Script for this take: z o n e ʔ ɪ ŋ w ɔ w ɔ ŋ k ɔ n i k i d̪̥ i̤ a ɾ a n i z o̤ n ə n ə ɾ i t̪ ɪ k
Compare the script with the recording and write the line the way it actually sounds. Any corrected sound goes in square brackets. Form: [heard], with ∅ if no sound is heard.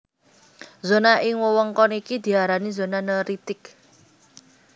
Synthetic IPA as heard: z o n [a] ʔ ɪ ŋ w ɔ w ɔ ŋ k ɔ n i k i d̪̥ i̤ a ɾ a n i z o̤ n [a] n ə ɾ i t̪ ɪ k